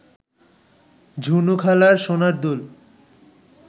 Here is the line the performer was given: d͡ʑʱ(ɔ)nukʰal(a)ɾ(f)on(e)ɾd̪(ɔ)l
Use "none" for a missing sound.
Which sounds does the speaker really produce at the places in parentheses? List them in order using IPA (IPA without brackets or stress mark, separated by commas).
u, a, ʃ, a, u